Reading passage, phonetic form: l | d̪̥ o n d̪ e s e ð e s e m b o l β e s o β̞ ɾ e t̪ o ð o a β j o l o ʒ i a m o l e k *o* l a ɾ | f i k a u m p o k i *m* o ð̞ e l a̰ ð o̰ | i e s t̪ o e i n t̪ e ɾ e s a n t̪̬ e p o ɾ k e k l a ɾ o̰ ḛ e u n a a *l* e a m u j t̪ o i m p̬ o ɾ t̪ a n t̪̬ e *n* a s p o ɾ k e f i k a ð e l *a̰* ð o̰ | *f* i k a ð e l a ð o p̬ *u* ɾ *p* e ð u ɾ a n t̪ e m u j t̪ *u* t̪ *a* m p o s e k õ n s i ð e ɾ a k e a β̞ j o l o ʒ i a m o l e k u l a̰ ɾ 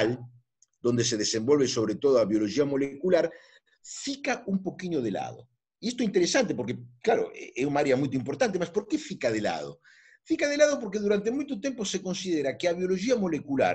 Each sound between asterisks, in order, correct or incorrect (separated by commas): incorrect, incorrect, incorrect, incorrect, correct, correct, incorrect, incorrect, incorrect, incorrect